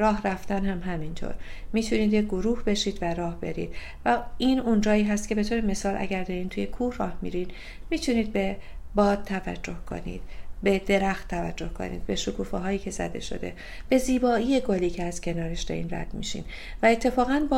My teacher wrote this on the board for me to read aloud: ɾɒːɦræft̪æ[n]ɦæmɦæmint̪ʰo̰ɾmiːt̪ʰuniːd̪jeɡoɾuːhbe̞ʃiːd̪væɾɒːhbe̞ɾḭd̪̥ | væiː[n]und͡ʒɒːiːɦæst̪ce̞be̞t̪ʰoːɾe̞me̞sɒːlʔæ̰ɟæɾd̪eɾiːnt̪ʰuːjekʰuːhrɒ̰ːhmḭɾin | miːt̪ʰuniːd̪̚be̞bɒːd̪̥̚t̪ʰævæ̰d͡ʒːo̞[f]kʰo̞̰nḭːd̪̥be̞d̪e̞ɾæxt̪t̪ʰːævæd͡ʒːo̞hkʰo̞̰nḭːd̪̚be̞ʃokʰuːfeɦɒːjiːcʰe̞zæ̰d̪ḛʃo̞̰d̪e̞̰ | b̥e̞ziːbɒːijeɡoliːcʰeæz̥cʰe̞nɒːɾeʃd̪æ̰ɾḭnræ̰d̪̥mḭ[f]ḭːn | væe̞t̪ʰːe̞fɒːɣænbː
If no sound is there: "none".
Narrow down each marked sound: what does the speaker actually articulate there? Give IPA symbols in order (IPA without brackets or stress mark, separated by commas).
n, n, h, ʃ